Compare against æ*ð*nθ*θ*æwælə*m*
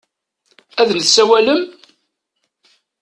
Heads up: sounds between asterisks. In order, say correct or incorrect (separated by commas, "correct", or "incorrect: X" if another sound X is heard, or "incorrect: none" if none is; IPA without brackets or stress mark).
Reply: correct, incorrect: s, correct